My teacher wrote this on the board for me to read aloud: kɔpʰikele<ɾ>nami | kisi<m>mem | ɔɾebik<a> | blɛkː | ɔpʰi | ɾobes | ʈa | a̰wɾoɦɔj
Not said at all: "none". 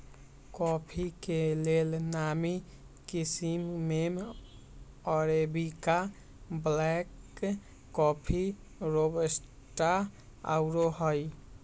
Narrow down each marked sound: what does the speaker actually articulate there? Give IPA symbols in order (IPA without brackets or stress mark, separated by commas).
l, m, a